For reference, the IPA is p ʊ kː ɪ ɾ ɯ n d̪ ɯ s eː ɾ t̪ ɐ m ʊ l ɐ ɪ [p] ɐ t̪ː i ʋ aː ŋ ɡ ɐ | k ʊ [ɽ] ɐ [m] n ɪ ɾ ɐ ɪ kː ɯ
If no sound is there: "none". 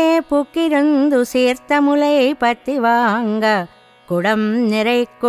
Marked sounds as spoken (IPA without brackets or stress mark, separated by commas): p, ɽ, m